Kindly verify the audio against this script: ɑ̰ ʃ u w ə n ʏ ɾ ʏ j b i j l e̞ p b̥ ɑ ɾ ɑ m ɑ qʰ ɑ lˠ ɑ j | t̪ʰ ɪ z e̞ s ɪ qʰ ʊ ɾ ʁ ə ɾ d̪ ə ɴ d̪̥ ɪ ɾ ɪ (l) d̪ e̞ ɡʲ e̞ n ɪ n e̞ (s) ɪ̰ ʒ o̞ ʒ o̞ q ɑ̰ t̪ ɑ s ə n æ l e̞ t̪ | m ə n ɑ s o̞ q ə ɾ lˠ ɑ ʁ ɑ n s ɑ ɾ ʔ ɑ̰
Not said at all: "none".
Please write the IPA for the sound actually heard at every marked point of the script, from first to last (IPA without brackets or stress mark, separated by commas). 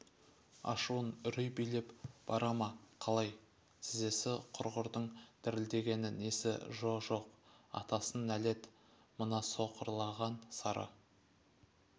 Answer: l, s